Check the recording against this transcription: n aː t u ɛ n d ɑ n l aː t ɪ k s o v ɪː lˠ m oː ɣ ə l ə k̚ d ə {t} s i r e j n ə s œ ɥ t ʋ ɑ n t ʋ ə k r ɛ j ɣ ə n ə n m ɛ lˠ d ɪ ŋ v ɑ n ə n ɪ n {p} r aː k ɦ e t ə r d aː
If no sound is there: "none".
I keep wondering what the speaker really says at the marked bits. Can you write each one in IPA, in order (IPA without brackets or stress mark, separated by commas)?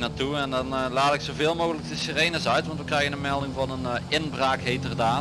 none, b